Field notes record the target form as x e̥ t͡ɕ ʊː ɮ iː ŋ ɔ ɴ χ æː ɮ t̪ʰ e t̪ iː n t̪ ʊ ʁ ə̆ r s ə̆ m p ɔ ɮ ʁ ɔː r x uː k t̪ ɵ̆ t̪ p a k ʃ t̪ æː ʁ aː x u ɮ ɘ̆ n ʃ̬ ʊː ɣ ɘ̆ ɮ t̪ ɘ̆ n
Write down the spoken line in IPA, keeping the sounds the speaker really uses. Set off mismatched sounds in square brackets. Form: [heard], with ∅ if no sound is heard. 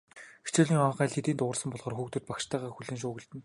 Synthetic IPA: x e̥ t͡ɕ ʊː ɮ iː ŋ ɔ ɴ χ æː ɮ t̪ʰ e t̪ iː n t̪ ʊ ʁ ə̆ r s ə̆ m p ɔ ɮ ʁ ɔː r x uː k t̪ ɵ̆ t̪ p a k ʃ t̪ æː ʁ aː x u ɮ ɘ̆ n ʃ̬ ʊː ɣ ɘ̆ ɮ t̪ ɘ̆ n